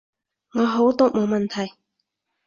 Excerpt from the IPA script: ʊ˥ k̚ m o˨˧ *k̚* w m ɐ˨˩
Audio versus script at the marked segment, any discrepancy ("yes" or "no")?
yes